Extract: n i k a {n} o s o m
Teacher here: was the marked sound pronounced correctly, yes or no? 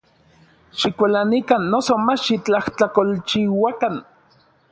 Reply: no